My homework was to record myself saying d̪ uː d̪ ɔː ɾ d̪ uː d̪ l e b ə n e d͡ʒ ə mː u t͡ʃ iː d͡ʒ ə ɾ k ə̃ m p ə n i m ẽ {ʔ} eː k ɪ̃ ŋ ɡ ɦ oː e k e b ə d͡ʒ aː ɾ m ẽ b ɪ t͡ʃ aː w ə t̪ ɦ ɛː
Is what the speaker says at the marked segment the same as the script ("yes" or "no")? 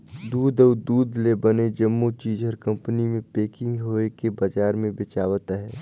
no